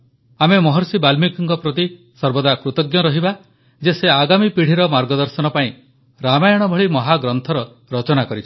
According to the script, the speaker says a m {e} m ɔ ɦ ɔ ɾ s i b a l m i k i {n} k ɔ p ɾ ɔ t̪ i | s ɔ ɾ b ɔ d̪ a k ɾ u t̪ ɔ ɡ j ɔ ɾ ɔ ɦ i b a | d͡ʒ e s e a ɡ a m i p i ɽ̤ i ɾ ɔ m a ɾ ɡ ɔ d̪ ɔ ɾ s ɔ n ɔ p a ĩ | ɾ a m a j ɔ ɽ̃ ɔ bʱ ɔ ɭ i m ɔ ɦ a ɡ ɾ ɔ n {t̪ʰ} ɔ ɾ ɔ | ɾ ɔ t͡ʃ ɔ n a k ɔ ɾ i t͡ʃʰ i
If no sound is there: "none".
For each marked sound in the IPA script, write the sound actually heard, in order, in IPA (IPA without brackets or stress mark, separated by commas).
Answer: e, ŋ, t̪ʰ